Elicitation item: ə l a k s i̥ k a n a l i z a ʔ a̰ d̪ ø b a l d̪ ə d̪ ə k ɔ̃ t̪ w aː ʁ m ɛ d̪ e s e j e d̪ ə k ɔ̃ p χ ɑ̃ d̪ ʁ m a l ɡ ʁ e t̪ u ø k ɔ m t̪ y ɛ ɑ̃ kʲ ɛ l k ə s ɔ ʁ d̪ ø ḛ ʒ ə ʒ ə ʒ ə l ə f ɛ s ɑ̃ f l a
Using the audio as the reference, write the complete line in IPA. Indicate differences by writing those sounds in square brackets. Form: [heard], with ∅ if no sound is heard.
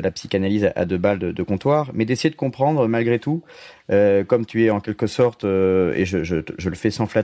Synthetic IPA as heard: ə l a [p] s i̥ k a n a l i z a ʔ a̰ d̪ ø b a l d̪ ə d̪ ə k ɔ̃ t̪ w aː ʁ m ɛ d̪ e s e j e d̪ ə k ɔ̃ p χ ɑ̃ d̪ ʁ m a l ɡ ʁ e t̪ u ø k ɔ m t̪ y ɛ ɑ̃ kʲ ɛ l k ə s ɔ ʁ [t̪] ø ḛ ʒ ə ʒ ə ʒ ə l ə f ɛ s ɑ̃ f l a